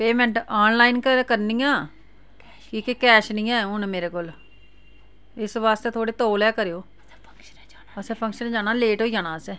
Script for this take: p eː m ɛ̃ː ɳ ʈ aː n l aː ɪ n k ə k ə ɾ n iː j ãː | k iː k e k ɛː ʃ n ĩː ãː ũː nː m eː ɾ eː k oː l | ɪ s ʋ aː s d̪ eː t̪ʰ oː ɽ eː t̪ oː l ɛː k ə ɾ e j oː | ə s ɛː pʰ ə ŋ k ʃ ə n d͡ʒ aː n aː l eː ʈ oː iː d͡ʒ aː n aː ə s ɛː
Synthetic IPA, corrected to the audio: p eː m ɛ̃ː ɳ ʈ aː n l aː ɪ n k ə k ə ɾ n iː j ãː | k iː k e k ɛː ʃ n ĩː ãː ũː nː m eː ɾ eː k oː l | ɪ s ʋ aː s t̪ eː t̪ʰ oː ɽ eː t̪ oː l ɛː k ə ɾ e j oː | ə s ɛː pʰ ə ŋ k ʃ ə n d͡ʒ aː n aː l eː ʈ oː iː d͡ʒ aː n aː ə s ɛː